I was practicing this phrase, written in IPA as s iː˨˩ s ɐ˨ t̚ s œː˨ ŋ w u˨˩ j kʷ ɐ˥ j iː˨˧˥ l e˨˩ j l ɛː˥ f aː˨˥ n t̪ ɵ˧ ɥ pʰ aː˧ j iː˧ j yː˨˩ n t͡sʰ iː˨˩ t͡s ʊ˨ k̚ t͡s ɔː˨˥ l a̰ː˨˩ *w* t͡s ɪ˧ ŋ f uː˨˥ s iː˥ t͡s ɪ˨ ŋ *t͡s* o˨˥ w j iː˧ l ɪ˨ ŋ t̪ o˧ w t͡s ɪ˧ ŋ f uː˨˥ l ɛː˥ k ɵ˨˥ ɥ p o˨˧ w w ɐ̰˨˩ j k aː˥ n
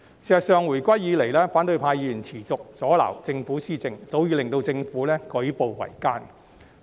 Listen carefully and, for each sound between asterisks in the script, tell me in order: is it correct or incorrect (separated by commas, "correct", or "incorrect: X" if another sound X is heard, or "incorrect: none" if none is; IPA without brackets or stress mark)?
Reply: correct, correct